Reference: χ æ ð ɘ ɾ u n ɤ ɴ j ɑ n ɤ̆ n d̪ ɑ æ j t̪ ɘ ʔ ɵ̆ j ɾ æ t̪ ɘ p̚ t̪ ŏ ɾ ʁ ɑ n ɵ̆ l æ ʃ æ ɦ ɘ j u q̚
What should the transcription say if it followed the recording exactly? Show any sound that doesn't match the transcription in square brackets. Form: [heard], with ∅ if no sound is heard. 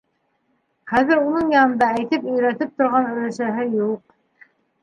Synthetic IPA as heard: χ æ ð ɘ ɾ u n ɤ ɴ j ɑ n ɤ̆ n d̪ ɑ æ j t̪ ɘ [p] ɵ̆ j ɾ æ t̪ ɘ p̚ t̪ ŏ ɾ ʁ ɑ n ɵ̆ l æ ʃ æ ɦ ɘ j u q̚